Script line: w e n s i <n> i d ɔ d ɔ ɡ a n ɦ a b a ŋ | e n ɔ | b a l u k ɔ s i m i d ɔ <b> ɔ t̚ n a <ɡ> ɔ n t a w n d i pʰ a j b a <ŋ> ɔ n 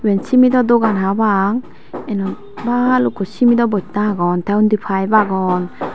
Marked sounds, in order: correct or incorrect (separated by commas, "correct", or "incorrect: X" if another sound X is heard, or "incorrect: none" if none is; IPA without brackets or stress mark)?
incorrect: m, correct, correct, incorrect: ɡ